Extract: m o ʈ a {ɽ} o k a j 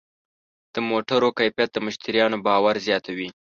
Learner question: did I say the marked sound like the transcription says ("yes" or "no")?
no